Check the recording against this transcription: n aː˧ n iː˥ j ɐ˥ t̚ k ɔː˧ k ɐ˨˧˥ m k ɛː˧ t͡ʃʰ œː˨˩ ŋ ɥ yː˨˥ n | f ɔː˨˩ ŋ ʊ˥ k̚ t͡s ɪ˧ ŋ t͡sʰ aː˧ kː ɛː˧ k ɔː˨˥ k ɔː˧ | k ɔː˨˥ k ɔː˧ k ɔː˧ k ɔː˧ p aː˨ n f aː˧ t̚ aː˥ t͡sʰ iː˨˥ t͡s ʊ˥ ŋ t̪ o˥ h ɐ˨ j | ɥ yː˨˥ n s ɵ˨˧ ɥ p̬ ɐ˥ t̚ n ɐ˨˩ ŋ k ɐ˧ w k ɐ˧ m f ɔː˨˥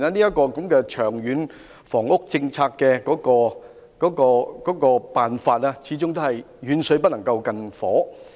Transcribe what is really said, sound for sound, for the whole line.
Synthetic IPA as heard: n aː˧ n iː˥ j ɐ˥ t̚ k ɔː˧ k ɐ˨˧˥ m k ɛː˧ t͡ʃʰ œː˨˩ ŋ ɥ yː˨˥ n | f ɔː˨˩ ŋ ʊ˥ k̚ t͡s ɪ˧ ŋ t͡sʰ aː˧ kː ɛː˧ k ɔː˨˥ k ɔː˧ | k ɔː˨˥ k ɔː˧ k ɔː˨˥ k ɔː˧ p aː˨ n f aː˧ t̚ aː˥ t͡sʰ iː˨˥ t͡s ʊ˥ ŋ t̪ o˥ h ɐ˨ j | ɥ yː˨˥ n s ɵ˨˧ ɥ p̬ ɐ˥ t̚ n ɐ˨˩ ŋ k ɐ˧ w k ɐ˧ n f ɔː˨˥